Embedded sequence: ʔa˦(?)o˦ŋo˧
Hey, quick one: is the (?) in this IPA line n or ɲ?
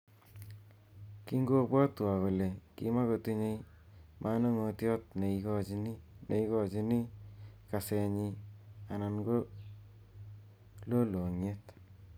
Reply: n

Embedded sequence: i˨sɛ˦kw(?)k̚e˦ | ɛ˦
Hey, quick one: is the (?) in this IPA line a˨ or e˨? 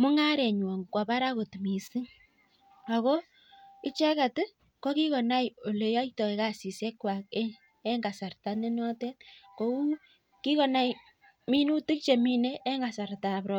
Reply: a˨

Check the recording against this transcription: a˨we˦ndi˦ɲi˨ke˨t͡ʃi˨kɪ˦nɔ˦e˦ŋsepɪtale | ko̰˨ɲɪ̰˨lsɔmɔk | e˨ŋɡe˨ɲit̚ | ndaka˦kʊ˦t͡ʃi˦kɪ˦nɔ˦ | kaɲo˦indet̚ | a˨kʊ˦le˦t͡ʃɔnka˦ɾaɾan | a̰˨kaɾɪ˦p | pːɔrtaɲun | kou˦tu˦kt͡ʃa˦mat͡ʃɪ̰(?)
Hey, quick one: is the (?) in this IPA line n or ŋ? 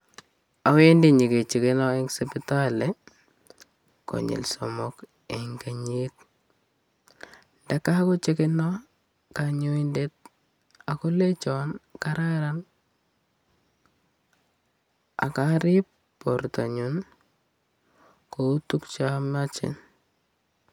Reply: n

